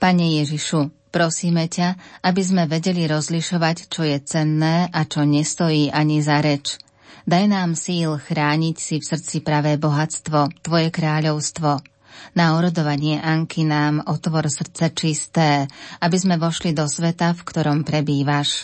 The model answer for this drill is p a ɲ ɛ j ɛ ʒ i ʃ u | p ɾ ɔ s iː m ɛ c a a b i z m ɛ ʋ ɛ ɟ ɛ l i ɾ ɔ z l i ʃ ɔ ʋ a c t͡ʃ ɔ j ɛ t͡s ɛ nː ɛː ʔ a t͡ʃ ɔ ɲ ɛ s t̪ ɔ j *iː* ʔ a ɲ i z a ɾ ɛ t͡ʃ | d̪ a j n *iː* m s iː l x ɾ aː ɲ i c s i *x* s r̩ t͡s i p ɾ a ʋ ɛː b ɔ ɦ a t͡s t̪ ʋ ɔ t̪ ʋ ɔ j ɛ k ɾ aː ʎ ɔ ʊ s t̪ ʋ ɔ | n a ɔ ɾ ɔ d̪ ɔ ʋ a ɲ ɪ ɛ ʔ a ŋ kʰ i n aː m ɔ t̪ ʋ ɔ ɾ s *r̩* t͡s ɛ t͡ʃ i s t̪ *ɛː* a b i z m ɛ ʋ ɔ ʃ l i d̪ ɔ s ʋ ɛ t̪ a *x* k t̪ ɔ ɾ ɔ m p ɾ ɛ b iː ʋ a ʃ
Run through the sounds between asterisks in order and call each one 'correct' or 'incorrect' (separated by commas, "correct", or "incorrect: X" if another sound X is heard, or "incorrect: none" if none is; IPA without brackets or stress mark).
correct, incorrect: aː, incorrect: f, correct, correct, incorrect: f